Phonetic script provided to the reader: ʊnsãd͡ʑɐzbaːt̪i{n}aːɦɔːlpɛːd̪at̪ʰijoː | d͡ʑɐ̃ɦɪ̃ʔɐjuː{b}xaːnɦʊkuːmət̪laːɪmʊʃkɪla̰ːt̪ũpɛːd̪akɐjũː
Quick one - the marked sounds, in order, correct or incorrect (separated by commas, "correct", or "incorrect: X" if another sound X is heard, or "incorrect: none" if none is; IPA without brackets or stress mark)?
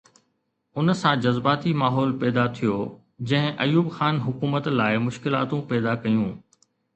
incorrect: m, correct